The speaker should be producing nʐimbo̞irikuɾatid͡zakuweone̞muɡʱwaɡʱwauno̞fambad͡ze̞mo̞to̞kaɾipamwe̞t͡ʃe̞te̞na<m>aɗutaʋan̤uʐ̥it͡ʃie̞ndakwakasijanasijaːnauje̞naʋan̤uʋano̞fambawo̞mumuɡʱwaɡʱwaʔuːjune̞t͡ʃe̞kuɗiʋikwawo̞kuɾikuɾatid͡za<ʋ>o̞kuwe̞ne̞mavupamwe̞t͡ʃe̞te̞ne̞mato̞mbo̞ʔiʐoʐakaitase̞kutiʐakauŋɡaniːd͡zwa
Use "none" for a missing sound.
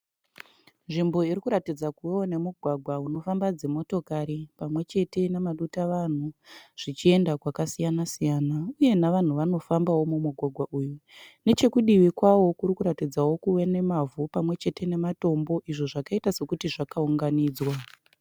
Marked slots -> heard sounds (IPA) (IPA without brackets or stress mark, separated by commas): m, w